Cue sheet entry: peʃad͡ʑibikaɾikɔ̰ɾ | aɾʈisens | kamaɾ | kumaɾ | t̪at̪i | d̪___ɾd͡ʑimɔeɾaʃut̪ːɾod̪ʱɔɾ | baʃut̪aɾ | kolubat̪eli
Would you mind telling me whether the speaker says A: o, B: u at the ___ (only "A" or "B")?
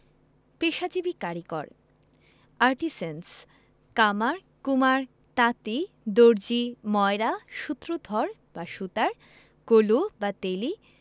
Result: A